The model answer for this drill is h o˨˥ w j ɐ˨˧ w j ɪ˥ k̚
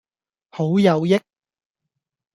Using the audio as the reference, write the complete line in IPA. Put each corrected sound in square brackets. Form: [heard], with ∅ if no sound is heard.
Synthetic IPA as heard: h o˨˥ w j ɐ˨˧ w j ɪ˥ k̚